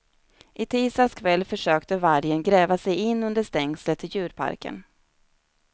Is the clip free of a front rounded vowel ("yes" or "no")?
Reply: no